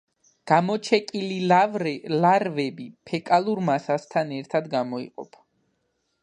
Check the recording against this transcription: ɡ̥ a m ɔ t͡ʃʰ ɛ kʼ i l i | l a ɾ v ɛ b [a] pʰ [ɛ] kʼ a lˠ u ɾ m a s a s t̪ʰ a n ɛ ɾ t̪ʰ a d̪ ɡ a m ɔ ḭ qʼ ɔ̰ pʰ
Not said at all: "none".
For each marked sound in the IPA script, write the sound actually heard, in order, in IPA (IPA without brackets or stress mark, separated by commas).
i, ɛ